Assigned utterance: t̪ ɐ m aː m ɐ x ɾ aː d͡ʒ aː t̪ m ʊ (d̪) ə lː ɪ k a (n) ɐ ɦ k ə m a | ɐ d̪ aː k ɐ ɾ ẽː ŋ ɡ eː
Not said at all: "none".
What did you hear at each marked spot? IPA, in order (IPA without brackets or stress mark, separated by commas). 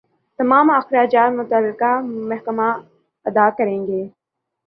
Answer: t̪, m